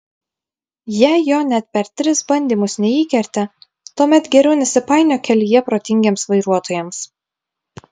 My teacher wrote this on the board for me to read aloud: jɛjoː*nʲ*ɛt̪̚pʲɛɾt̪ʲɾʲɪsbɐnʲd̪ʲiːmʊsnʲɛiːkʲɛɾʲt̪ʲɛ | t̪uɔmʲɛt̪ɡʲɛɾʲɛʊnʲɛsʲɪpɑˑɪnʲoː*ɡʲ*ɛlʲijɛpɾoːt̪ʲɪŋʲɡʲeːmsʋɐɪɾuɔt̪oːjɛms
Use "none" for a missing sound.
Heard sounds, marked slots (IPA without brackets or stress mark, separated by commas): nʲ, kʲ